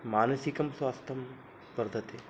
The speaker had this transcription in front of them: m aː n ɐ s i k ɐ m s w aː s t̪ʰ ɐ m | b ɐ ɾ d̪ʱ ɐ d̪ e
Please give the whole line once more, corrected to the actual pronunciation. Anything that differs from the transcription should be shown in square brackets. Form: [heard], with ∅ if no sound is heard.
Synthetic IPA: m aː n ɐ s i k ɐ m s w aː s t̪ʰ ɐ m | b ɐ ɾ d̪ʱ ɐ [t̪] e

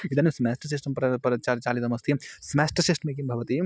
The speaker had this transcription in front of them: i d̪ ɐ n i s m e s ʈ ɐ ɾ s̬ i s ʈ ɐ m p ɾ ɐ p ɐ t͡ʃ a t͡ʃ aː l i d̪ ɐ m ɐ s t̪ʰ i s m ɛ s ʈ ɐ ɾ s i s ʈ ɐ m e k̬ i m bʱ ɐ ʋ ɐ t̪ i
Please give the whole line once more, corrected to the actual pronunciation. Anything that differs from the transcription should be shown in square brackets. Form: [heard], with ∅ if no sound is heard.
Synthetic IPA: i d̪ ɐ n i s m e s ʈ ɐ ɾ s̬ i s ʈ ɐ m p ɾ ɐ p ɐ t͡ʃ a t͡ʃ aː l i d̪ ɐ m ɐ s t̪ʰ i s m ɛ s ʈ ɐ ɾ s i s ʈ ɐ m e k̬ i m bʱ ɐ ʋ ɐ t̪ i

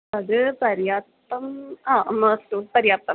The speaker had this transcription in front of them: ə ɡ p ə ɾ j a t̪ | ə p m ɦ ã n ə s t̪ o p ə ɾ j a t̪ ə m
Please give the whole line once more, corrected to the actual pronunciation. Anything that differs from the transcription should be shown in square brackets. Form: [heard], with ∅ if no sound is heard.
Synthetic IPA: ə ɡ p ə ɾ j a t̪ | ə [∅] m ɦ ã [m] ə s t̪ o p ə ɾ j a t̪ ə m

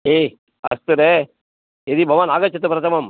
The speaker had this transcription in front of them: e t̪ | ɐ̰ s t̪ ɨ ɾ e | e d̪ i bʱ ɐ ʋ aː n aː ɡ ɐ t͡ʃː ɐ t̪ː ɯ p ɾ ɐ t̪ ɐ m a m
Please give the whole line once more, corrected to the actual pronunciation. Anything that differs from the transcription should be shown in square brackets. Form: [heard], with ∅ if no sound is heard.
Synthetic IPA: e [∅] | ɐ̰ s t̪ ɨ ɾ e | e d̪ i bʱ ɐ ʋ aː n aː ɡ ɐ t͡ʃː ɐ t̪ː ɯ p ɾ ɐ t̪ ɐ m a m

